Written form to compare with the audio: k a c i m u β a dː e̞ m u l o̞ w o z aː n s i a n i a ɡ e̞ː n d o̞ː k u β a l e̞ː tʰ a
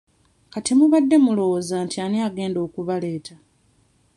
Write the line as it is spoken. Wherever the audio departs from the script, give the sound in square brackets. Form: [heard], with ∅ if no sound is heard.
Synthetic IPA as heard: k a [t] i m u β a dː e̞ m u l o̞ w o z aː n [t] i a n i a ɡ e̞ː n d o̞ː k u β a l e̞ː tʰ a

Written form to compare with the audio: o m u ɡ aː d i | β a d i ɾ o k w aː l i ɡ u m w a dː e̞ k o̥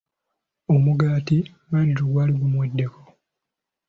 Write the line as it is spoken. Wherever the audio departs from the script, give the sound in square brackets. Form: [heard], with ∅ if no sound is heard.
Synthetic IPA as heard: o m u ɡ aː [t] i | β a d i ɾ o [ɡ] w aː l i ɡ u m w [e] dː e̞ k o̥

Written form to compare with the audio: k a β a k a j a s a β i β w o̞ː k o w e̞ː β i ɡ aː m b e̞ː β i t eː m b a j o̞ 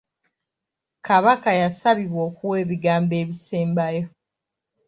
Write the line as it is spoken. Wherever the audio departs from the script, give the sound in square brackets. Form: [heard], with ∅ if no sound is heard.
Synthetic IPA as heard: k a β a k a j a s a β i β w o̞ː k [u] w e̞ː β i ɡ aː m b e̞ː β i [s] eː m b a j o̞

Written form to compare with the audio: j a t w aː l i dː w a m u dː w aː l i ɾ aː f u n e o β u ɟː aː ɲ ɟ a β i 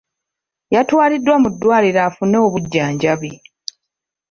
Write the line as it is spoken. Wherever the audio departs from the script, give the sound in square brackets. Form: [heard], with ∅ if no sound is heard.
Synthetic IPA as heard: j a t w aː l i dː w a m u dː w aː l i ɾ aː f u n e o β u ɟː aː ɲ ɟ a β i

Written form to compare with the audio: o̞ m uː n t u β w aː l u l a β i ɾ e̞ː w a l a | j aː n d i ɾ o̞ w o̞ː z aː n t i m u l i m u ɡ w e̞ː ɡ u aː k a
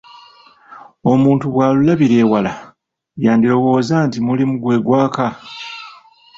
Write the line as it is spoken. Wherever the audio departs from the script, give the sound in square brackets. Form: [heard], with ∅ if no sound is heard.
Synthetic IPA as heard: o̞ m uː n t u β w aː l u l a β i ɾ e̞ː w a l a | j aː n d i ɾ o̞ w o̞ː z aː n t i m u l i m u ɡ w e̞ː ɡ [w] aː k a

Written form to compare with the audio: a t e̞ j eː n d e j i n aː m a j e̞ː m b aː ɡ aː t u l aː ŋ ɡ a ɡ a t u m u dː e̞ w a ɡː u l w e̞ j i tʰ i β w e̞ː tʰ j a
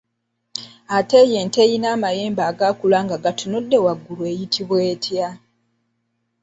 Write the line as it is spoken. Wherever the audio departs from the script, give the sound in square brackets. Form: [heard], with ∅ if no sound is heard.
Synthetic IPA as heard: a t e̞ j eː n [t] e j i n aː m a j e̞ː m b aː ɡ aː [k] u l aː ŋ ɡ a ɡ a t u [n] u dː e̞ w a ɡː u l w e̞ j i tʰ i β w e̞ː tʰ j a

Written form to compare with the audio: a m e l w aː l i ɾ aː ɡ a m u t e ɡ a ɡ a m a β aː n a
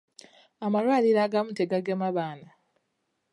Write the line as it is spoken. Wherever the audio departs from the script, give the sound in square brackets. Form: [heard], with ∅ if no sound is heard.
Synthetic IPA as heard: a m [a] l w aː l i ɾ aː ɡ a m u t e ɡ a ɡ [e] m a β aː n a

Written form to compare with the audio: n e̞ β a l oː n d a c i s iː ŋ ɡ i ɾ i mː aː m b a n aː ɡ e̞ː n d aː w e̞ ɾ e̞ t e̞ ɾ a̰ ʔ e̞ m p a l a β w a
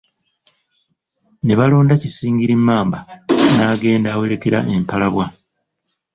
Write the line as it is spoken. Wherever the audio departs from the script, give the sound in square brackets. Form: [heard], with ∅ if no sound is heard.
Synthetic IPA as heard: n e̞ β a l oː n d a c i s iː ŋ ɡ i ɾ i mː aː m b a n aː ɡ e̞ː n d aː w e̞ ɾ e̞ [k] e̞ ɾ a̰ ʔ e̞ m p a l a β w a

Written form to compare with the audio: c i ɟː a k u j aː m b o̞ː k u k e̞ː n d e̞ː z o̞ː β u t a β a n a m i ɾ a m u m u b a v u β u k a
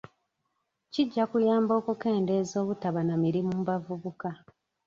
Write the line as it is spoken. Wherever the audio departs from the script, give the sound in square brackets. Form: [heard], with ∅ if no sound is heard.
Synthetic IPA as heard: c i ɟː a k u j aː m b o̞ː k u k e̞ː n d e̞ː z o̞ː β u t a β a n a m i ɾ [i] m u m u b a v u β u k a

